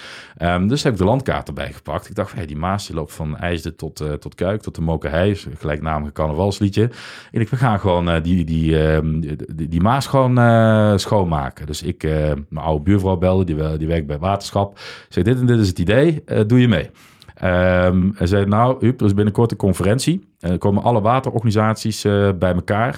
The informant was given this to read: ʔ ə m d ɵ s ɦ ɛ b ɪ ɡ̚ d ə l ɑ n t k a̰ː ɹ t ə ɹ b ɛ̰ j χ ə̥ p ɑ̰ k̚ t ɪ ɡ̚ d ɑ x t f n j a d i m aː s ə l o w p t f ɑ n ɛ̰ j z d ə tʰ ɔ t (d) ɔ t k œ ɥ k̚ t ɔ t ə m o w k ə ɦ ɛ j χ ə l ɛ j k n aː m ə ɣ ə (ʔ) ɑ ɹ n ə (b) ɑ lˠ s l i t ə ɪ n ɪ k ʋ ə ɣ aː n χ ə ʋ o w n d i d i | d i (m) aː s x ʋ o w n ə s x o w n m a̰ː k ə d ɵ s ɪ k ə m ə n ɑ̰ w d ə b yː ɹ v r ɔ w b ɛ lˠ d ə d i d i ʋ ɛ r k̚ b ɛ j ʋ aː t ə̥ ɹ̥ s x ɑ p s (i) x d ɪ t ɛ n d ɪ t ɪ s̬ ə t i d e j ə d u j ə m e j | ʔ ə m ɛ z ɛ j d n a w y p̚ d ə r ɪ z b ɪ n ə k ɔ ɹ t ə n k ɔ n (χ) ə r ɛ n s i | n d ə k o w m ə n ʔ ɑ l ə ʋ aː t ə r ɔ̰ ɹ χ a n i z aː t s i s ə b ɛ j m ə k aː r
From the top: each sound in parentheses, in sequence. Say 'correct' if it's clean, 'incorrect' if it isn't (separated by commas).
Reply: incorrect, incorrect, incorrect, correct, incorrect, incorrect